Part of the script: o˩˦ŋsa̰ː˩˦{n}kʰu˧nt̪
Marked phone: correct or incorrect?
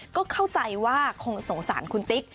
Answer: correct